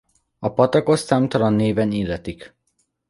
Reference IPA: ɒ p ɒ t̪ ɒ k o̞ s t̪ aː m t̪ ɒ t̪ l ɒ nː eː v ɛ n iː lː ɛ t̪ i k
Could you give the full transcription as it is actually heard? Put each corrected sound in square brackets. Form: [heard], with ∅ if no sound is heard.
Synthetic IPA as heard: ɒ p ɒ t̪ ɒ k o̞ s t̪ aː m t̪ ɒ [∅] l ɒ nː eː v ɛ n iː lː ɛ t̪ i k

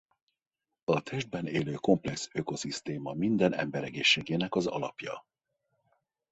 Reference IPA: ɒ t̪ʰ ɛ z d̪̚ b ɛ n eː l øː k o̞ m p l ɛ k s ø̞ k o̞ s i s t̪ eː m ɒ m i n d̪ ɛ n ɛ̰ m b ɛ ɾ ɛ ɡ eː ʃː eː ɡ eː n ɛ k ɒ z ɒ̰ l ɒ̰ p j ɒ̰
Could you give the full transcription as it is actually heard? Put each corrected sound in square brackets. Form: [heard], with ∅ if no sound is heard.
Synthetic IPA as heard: ɒ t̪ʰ ɛ [ʒ] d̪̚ b ɛ n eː l øː k o̞ m p l ɛ k s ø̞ k o̞ s i s t̪ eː m ɒ m i n d̪ ɛ n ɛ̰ m b ɛ ɾ ɛ ɡ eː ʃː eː ɡ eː n ɛ k ɒ z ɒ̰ l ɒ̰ p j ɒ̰

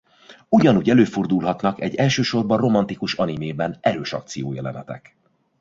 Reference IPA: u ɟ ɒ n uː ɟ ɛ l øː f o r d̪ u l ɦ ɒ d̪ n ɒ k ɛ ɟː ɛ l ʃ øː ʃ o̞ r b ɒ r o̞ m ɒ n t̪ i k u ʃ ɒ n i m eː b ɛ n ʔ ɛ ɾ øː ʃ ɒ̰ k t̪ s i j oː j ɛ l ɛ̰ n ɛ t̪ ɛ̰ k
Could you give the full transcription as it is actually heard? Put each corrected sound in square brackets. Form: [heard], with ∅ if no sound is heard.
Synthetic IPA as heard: u ɟ ɒ n uː ɟ ɛ l øː f o r d̪ u l ɦ ɒ [t̪] n ɒ k ɛ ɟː ɛ l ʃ øː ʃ o̞ r b ɒ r o̞ m ɒ n t̪ i k u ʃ ɒ n i m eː b ɛ n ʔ ɛ ɾ øː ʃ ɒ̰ k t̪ s i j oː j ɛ l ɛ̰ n ɛ t̪ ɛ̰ k

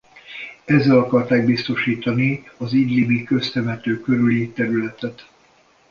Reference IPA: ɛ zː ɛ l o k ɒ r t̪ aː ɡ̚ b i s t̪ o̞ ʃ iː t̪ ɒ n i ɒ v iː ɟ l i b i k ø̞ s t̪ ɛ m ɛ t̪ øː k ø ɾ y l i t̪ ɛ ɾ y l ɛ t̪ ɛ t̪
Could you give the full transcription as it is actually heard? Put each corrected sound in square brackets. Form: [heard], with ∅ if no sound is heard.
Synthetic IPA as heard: ɛ zː ɛ l [ɒ] k ɒ r t̪ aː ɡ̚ b i s t̪ o̞ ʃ iː t̪ ɒ n i ɒ [z] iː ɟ l i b i k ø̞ s t̪ ɛ m ɛ t̪ øː k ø ɾ y l i t̪ ɛ ɾ y l ɛ t̪ ɛ t̪

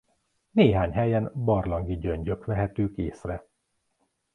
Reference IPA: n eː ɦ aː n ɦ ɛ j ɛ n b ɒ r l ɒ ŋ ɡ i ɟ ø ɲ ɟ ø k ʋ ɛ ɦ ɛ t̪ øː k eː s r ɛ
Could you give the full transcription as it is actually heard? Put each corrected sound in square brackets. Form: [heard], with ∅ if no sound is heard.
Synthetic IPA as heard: n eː ɦ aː [ɲ] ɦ ɛ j ɛ n b ɒ r l ɒ ŋ ɡ i ɟ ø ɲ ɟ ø k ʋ ɛ ɦ ɛ t̪ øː k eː s r ɛ

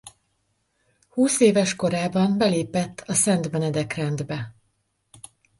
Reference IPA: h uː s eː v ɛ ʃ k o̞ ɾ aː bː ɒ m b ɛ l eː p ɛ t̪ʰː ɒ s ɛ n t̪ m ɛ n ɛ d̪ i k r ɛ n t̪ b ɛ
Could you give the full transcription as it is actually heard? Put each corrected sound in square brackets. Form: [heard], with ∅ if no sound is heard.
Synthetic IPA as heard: h uː s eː v ɛ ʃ k o̞ ɾ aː [b] ɒ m b ɛ l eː p ɛ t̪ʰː ɒ s ɛ n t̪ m ɛ n ɛ d̪ [ɛ] k r ɛ n [d̪] b ɛ

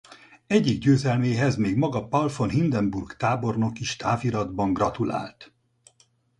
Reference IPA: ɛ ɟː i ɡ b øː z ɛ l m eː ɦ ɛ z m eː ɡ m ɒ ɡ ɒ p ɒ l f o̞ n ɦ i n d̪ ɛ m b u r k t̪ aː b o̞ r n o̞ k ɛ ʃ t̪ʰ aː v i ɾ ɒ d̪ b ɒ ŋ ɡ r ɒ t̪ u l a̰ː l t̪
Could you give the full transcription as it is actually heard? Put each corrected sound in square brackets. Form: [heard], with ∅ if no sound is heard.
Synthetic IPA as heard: ɛ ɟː i ɡ [ɟ] øː z ɛ l m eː ɦ ɛ z m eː ɡ m ɒ ɡ ɒ p ɒ l f o̞ n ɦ i n d̪ ɛ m b u r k t̪ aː b o̞ r n o̞ k [i] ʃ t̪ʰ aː v i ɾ ɒ d̪ b ɒ ŋ ɡ r ɒ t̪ u l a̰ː l t̪

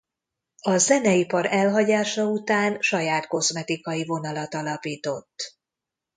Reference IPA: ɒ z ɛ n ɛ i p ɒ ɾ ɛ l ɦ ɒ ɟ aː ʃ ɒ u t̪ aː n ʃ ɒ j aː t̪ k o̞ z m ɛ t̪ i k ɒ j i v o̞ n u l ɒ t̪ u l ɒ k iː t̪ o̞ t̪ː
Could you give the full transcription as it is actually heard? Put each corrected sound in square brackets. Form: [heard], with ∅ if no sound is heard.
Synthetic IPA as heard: ɒ z ɛ n ɛ i p ɒ ɾ ɛ l ɦ ɒ ɟ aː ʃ ɒ u t̪ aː n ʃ ɒ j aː t̪ k o̞ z m ɛ t̪ i k ɒ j i v o̞ n [ɒ] l ɒ t̪ [ɒ] l ɒ [p] iː t̪ o̞ t̪ː

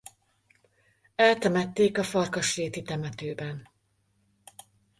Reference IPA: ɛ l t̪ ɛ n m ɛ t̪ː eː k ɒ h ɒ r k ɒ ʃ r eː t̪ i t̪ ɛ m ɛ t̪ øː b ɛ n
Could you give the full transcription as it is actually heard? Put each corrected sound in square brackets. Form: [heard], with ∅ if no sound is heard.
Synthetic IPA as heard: ɛ l t̪ ɛ [∅] m ɛ t̪ː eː k ɒ [f] ɒ r k ɒ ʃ r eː t̪ i t̪ ɛ m ɛ t̪ øː b ɛ n

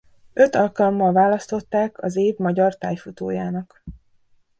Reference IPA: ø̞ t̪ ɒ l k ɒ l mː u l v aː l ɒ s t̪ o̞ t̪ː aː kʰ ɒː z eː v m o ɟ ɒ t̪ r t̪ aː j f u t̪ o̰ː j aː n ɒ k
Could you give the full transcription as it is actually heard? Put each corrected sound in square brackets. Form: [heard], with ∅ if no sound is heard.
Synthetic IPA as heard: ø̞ t̪ ɒ l k ɒ l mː [ɒ] l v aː l ɒ s t̪ o̞ t̪ː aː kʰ [ɒ] z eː v m [ɒ] ɟ ɒ [∅] r t̪ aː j f u t̪ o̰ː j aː n ɒ k

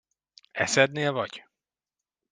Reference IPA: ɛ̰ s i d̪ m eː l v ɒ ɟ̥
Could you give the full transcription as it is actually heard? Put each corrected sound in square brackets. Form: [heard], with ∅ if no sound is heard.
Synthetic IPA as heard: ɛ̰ s [ɛ] d̪ [n] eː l v ɒ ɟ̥

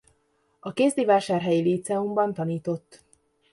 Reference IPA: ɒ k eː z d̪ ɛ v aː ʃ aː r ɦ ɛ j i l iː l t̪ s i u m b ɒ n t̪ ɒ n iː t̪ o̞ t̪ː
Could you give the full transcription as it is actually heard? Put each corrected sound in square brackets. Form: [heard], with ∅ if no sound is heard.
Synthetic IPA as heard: ɒ k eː z d̪ [i] v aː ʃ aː r ɦ ɛ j i l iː [∅] t̪ s [ɛ] u m b ɒ n t̪ ɒ n iː t̪ o̞ t̪ː

